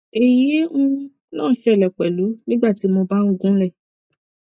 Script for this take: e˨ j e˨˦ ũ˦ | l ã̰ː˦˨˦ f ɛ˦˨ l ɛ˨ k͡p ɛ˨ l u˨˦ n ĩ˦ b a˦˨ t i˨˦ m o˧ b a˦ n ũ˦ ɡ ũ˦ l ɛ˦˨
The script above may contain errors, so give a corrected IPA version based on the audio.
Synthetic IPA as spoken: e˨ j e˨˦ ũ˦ | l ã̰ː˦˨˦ ʃ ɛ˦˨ l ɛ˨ k͡p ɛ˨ l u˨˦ n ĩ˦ ɡ͡b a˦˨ t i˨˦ m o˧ b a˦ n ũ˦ ɡ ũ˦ l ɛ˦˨